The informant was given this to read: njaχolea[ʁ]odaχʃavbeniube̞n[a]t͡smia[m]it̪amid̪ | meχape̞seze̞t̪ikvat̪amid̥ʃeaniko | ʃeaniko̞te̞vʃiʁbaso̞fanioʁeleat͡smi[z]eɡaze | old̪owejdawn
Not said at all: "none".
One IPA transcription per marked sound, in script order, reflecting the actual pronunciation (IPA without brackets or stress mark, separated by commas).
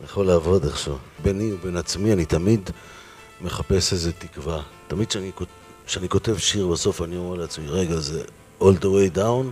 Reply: v, a, n, ʁ